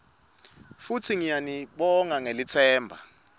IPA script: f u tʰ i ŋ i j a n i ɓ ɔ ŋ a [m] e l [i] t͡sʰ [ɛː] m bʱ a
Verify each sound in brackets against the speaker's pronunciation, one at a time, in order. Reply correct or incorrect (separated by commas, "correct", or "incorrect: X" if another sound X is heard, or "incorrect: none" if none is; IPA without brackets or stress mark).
incorrect: ŋ, correct, correct